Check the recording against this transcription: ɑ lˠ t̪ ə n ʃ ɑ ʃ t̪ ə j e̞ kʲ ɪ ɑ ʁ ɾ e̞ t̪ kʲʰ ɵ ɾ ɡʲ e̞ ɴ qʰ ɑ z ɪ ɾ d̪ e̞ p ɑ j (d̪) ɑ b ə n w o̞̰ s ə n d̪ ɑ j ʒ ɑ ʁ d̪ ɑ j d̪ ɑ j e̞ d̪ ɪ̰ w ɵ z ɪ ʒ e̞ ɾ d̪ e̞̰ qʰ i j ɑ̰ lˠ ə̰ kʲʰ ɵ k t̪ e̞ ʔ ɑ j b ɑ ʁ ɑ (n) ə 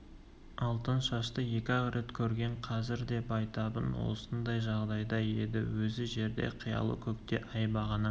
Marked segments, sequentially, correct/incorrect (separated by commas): incorrect, correct